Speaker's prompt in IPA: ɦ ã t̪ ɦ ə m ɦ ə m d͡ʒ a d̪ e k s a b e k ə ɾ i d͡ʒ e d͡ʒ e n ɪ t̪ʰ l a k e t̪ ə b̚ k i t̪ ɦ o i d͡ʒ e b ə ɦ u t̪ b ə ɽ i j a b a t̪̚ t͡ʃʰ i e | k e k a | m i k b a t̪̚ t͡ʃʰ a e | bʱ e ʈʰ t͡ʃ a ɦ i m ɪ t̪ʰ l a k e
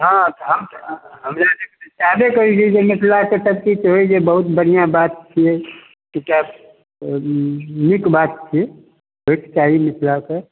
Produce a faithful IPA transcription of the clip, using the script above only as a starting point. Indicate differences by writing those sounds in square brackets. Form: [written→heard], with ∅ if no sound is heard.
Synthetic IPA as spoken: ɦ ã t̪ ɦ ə m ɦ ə m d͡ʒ a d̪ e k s a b e k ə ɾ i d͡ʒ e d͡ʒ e [n→m] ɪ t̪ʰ l a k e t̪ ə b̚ k i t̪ ɦ o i d͡ʒ e b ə ɦ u t̪ b ə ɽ i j a b a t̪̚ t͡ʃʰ i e | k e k a | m i k b a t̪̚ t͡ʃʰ [a→i] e | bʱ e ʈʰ t͡ʃ a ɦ i m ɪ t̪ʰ l a k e

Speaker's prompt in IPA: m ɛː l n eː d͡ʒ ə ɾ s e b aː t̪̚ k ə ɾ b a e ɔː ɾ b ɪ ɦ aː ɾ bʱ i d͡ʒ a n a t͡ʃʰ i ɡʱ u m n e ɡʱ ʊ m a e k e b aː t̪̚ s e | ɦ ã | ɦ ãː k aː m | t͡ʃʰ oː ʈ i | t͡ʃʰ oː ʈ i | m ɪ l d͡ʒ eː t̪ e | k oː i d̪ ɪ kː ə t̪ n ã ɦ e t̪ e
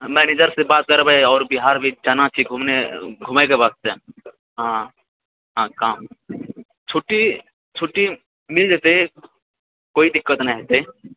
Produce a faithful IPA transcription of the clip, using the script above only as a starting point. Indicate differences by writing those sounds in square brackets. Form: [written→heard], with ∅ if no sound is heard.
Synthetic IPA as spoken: m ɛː [l→∅] n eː d͡ʒ ə ɾ s e b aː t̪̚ k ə ɾ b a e ɔː ɾ b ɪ ɦ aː ɾ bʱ i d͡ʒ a n a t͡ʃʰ i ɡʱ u m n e ɡʱ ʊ m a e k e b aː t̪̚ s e | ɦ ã | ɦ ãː k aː m | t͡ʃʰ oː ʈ i | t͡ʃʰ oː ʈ i | m ɪ l d͡ʒ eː t̪ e | k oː i d̪ ɪ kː ə t̪ n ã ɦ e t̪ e

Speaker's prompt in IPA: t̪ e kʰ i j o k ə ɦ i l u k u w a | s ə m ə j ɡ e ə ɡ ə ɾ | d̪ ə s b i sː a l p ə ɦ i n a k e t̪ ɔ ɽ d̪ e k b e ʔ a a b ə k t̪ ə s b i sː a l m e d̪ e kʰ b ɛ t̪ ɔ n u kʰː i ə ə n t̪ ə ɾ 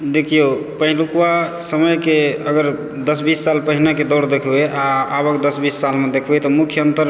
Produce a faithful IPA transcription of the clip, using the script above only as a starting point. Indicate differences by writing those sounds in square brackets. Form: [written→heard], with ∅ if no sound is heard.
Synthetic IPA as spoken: [t̪→d̪] e kʰ i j o [k→p] ə ɦ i l u k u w a | s ə m ə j [ɡ→k] e ə ɡ ə ɾ | d̪ ə s b i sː a l p ə ɦ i n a k e [t̪→d̪] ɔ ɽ d̪ e [k→kʰ] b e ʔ a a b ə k [t̪→d̪] ə s b i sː a l m e d̪ e kʰ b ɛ t̪ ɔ [n→m] u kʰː [i→j] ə ə n t̪ ə ɾ

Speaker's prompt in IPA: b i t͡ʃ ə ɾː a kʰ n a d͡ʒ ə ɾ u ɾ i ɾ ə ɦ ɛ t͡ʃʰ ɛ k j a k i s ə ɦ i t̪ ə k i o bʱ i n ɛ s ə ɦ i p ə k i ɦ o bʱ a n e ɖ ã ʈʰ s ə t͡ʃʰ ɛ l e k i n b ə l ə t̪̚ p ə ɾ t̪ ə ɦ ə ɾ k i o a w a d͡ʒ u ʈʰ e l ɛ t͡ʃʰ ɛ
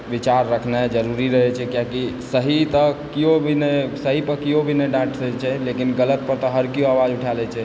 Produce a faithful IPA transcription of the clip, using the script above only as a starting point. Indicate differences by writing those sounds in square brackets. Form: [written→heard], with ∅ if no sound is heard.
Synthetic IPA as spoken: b i t͡ʃ [ə→a] ɾː [a→ə] kʰ n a d͡ʒ ə ɾ u ɾ i ɾ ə ɦ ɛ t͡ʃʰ ɛ k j a k i s ə ɦ i t̪ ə k i o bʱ i n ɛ s ə ɦ i p ə k i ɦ o bʱ [a→i] n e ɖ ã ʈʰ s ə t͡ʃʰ ɛ l e k i n [b→ɡ] ə l ə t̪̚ p ə ɾ t̪ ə ɦ ə ɾ k i o a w a d͡ʒ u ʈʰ [e→a] l ɛ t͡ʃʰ ɛ

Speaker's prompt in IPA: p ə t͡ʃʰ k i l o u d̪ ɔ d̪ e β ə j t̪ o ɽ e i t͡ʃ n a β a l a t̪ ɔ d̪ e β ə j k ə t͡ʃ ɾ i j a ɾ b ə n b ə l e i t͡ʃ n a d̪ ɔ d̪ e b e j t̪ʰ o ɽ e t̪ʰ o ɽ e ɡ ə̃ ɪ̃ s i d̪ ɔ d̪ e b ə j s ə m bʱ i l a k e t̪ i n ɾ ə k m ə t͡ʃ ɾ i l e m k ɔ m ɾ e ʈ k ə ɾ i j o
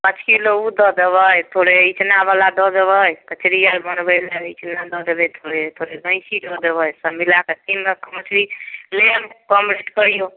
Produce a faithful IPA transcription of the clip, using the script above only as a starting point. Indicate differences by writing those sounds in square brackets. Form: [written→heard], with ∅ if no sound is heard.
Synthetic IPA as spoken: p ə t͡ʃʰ k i l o u d̪ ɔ d̪ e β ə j [t̪→t̪ʰ] o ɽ e i t͡ʃ n a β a l a [t̪→d̪] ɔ d̪ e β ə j k ə t͡ʃ ɾ i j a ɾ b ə n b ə l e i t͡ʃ n a d̪ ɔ d̪ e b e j t̪ʰ o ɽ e t̪ʰ o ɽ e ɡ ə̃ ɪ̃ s i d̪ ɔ d̪ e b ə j s ə m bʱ i l a k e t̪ i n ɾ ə k m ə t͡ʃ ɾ i l e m k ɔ m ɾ e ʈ k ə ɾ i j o

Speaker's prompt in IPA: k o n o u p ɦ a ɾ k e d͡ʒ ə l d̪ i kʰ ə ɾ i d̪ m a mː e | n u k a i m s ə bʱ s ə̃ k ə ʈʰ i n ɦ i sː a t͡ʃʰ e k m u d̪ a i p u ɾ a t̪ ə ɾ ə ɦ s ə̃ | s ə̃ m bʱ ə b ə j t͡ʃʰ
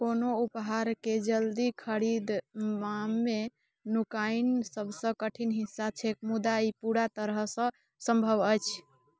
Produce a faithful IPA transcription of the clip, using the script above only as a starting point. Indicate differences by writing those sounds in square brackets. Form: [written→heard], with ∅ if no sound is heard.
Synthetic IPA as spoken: k o n o u p ɦ a ɾ k e d͡ʒ ə l d̪ i kʰ ə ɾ i d̪ m a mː e | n u k a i [m→n] s ə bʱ s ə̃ k ə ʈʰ i n ɦ i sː a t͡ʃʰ e k m u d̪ a i p u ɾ a t̪ ə ɾ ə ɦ s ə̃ | s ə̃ m bʱ ə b ə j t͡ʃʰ

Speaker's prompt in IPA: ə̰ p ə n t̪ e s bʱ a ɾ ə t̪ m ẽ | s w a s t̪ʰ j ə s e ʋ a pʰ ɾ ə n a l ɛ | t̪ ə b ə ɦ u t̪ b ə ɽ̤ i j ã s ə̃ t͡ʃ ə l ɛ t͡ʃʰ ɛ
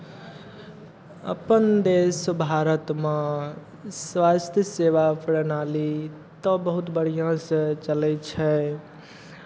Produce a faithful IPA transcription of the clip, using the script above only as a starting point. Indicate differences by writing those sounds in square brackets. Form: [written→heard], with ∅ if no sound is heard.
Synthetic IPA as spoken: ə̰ p ə n [t̪→d̪] e s bʱ a ɾ ə t̪ m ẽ | s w a s t̪ʰ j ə s e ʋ a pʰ ɾ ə n a l [ɛ→i] | t̪ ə b ə ɦ u t̪ b ə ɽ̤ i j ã s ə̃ t͡ʃ ə l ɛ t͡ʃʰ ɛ

